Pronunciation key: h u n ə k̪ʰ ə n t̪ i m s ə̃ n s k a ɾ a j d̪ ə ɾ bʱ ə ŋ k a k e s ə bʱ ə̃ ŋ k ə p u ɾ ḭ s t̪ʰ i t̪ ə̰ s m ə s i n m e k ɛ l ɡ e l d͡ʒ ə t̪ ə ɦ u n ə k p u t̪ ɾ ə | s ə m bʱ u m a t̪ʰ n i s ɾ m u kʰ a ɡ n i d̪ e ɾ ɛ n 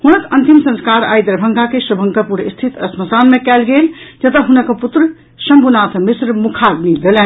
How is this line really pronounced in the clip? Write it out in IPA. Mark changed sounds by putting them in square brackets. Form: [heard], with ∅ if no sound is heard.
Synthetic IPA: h u n ə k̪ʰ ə n t̪ i m s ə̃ n s k a ɾ a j d̪ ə ɾ bʱ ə ŋ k a k e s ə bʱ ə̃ ŋ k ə p u ɾ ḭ s t̪ʰ i t̪ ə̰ s m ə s [a] n m e k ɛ l ɡ e l d͡ʒ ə t̪ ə ɦ u n ə k p u t̪ ɾ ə | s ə m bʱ u [n] a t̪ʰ [m] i s ɾ m u kʰ a ɡ n i d̪ e [l] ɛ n